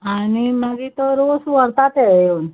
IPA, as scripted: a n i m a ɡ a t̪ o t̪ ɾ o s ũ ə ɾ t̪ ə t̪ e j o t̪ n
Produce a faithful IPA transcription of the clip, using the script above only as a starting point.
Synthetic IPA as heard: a n i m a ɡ i t̪ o ɾ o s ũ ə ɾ t̪ a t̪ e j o n